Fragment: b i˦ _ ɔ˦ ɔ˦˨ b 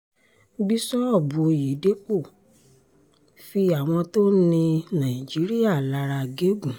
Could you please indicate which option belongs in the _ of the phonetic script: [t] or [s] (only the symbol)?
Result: s